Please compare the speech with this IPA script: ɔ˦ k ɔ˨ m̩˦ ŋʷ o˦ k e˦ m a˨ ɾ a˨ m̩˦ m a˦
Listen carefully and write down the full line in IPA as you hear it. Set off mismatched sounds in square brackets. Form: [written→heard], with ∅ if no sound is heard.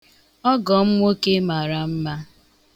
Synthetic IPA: ɔ˦ [k→ɡ] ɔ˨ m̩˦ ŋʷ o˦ k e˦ m a˨ ɾ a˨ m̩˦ m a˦